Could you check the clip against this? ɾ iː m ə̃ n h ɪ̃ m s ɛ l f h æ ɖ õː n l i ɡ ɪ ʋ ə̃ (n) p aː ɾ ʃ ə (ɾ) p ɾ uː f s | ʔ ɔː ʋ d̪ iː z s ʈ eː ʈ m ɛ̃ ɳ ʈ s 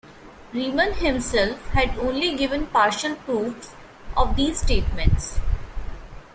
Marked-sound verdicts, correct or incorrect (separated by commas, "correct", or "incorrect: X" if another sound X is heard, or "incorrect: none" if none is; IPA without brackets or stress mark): correct, incorrect: l